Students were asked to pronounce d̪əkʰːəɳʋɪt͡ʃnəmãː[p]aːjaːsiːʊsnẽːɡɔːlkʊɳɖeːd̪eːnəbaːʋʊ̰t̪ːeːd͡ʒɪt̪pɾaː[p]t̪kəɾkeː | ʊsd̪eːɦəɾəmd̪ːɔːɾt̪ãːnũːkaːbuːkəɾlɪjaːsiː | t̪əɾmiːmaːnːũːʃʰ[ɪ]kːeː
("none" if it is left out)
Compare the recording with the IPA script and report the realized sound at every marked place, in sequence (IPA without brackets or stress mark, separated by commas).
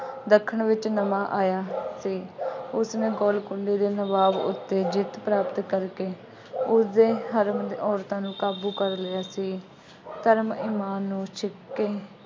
ʔ, p, ɪ